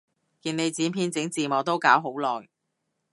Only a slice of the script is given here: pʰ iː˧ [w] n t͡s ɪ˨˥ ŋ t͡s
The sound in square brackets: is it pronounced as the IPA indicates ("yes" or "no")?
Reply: no